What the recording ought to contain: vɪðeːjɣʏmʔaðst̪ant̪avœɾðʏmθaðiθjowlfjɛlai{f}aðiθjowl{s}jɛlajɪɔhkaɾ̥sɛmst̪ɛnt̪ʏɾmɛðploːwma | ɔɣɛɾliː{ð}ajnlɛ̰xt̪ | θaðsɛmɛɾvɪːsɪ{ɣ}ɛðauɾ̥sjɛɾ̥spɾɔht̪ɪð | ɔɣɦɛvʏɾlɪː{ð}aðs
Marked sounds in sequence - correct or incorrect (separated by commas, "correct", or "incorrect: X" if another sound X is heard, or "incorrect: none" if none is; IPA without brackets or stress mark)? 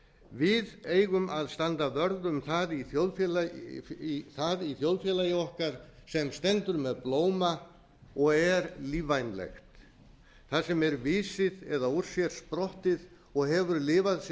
incorrect: θ, incorrect: f, incorrect: v, incorrect: ð, incorrect: v